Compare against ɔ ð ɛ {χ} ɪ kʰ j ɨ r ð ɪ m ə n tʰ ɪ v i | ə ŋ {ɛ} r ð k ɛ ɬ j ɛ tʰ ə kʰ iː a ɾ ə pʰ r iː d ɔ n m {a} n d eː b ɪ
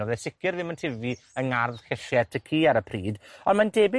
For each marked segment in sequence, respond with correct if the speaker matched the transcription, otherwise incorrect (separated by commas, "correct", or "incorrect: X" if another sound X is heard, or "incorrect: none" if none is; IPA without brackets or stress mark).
incorrect: s, incorrect: a, correct